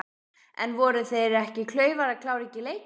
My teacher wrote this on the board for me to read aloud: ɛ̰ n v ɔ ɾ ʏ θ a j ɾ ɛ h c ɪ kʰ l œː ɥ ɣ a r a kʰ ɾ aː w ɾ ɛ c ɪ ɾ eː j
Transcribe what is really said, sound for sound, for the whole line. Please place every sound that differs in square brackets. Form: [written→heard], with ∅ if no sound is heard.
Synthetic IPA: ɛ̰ n v ɔ ɾ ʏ θ [a→e] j ɾ ɛ h c ɪ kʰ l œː ɥ [ɣ→v] a [r→ɾ] a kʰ [ɾ→l] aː w ɾ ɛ c ɪ [ɾ→l] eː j